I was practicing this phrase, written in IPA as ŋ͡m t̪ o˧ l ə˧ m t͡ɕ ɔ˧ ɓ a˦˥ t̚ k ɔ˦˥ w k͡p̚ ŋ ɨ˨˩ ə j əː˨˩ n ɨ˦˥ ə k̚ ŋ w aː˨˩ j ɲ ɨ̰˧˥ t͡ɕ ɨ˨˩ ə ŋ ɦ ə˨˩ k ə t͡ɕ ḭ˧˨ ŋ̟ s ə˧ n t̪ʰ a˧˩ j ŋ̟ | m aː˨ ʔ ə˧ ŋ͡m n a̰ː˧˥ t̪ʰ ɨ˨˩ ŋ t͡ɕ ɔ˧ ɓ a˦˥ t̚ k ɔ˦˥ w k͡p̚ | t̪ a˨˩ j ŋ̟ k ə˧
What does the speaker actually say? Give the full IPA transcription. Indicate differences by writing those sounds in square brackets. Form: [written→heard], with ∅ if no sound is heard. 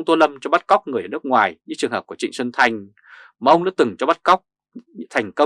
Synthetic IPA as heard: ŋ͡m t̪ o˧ l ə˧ m t͡ɕ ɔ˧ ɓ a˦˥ t̚ k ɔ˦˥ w k͡p̚ ŋ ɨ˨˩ ə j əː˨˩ n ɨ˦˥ ə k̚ ŋ w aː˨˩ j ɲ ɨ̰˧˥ t͡ɕ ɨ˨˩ ə ŋ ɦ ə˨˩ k ə t͡ɕ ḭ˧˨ ŋ̟ s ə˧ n t̪ʰ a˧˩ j ŋ̟ | m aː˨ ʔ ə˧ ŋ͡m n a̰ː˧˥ [t̪ʰ→t̪] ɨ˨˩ ŋ t͡ɕ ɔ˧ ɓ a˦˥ t̚ k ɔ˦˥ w k͡p̚ | [t̪→t̪ʰ] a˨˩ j ŋ̟ k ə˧